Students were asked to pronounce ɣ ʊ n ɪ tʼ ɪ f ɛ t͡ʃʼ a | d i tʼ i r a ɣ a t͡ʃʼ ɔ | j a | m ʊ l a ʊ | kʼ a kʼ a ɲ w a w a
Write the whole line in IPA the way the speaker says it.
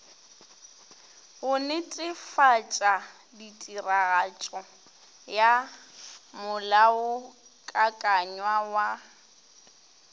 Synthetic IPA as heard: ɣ ʊ n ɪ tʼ ɪ f a t͡ʃʼ a | d i tʼ i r a ɣ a t͡ʃʼ ɔ | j a | m ʊ l a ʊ | kʼ a kʼ a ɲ w a w a